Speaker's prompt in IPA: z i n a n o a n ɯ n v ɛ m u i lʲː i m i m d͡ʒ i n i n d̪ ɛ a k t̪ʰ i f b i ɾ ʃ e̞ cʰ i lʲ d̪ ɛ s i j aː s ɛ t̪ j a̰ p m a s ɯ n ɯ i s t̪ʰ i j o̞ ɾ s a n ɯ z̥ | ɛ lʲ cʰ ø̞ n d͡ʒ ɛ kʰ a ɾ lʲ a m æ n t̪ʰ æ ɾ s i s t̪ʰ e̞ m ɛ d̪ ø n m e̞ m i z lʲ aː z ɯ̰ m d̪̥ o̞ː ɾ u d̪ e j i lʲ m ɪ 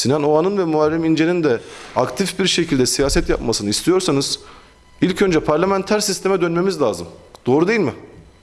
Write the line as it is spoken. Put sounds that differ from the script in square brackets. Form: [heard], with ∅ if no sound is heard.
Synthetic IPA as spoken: [s] i n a n o a n ɯ n v ɛ m u [a] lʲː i m i [n] d͡ʒ [e] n i n d̪ ɛ a k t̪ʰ i f b i ɾ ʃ e̞ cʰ i lʲ d̪ ɛ s i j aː s ɛ t̪ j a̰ p m a s ɯ n ɯ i s t̪ʰ i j o̞ ɾ s a n ɯ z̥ | [i] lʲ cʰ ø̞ n d͡ʒ ɛ [pʰ] a ɾ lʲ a m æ n t̪ʰ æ ɾ s i s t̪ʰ e̞ m ɛ d̪ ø n m e̞ m i z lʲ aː z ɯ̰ m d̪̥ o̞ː ɾ u d̪ e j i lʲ m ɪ